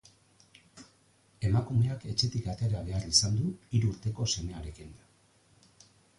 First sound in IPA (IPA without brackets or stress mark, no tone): e̞